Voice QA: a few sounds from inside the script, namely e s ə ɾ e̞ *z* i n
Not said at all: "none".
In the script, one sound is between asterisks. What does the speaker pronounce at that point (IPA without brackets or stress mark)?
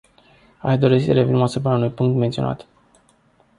v